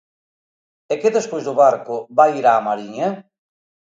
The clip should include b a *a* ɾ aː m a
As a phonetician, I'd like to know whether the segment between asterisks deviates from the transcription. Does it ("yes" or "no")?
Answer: yes